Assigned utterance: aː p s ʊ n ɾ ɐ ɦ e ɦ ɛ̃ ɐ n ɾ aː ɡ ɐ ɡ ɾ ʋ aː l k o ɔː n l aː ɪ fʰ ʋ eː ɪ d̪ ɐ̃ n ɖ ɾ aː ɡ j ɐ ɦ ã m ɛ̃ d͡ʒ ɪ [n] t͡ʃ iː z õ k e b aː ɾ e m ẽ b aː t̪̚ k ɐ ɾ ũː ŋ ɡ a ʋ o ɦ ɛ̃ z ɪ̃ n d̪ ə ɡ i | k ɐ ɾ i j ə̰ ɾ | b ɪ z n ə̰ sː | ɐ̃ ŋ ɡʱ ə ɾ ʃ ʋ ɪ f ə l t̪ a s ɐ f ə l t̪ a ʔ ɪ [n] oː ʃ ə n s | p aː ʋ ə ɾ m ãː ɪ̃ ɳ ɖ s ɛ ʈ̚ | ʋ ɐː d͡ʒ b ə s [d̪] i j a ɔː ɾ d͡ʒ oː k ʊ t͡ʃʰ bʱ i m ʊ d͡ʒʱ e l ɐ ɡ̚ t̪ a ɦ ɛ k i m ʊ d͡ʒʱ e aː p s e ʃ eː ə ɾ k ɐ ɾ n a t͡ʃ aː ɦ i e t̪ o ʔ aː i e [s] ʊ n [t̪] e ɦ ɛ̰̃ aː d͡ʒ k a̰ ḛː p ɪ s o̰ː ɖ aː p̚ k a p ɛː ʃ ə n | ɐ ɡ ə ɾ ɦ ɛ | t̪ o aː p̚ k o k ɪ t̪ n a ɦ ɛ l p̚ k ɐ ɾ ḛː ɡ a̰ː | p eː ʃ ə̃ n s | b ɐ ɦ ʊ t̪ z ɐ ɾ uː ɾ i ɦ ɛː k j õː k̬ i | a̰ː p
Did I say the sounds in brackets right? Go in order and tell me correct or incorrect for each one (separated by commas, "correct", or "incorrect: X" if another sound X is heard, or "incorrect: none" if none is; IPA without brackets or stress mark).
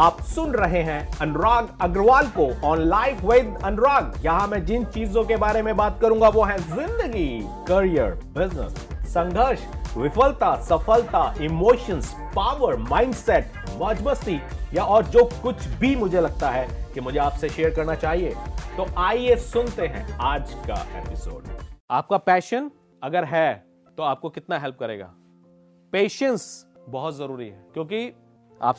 correct, incorrect: m, incorrect: t̪, correct, correct